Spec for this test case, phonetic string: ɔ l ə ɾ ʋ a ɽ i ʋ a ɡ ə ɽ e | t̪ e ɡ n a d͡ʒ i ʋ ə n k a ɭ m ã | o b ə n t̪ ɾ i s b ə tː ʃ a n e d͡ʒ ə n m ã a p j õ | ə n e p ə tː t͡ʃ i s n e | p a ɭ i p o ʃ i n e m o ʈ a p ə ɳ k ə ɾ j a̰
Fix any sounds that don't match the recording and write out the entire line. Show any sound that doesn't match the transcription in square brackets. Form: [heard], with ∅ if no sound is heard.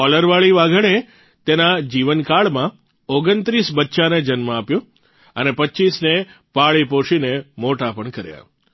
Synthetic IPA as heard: ɔ l ə ɾ ʋ a [ɭ] i ʋ a ɡ ə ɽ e | t̪ e [∅] n a d͡ʒ i ʋ ə n k a ɭ m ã | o [ɡ] ə n t̪ ɾ i s b ə tː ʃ a n e d͡ʒ ə n m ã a p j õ | ə n e p ə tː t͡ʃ i s n e | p a ɭ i p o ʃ i n e m o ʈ a p ə ɳ k ə ɾ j a̰